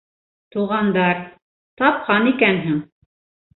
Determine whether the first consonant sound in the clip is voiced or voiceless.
voiceless